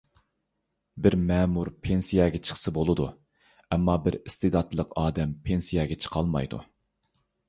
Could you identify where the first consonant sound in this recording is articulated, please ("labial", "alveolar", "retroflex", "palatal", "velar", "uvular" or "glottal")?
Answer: labial